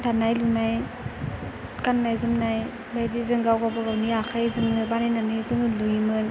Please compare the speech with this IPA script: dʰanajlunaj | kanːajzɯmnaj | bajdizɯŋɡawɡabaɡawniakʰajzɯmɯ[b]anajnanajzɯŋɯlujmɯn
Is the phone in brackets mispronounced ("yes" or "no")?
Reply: no